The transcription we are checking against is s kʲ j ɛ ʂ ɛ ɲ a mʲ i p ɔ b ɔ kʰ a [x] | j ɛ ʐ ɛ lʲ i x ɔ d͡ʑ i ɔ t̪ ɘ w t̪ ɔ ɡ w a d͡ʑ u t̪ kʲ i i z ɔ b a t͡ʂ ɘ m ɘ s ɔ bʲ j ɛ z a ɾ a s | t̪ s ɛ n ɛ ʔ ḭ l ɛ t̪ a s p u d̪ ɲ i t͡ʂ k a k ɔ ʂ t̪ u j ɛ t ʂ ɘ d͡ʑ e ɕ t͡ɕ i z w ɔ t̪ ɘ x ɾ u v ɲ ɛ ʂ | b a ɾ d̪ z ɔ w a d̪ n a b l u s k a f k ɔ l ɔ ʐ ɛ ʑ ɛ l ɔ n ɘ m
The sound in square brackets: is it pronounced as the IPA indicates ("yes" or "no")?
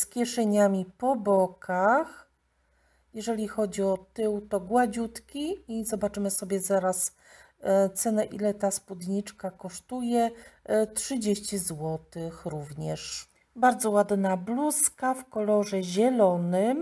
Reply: yes